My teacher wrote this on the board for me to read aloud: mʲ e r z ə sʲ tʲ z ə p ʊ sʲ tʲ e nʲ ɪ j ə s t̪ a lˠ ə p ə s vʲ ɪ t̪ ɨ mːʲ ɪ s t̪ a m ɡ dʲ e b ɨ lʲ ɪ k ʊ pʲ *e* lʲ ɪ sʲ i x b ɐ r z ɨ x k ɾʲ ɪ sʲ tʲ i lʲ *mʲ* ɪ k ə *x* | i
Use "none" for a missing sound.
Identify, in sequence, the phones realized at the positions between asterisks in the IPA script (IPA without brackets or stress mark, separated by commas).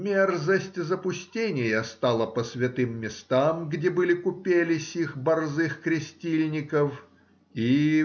e, nʲ, f